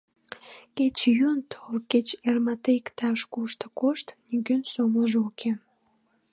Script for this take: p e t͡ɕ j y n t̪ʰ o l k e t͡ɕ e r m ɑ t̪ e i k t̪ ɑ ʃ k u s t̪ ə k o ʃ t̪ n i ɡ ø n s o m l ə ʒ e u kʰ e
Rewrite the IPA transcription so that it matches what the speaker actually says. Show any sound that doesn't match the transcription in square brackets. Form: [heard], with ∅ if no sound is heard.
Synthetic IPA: [k] e t͡ɕ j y n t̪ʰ o l k e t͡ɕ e r m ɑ t̪ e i k t̪ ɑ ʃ k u [ʃ] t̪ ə k o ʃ t̪ n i ɡ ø n s o m l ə ʒ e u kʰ e